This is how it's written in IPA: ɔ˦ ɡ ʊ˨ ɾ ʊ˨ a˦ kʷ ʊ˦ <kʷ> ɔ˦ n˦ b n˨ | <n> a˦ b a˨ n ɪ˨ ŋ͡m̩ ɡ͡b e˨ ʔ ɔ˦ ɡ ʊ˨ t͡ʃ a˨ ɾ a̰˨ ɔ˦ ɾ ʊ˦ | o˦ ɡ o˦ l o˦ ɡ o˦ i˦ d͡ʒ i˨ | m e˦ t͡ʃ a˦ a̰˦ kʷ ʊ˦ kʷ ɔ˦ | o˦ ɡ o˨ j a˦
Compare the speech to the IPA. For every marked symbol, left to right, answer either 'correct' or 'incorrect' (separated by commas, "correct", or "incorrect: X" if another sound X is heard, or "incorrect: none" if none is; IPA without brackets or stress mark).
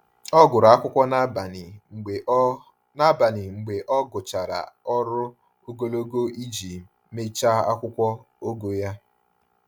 correct, correct